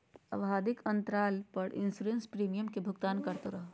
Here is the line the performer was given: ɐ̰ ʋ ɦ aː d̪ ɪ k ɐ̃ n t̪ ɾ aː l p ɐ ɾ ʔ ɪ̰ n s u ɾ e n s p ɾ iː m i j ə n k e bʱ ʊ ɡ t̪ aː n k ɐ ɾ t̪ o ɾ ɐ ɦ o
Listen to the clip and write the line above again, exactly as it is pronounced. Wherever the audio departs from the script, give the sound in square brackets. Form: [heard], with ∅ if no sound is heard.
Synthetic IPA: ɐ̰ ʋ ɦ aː d̪ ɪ k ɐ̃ n t̪ ɾ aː l p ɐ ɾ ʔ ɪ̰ n s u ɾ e n s p ɾ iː m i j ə [m] k e bʱ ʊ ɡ t̪ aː n k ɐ ɾ t̪ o ɾ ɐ ɦ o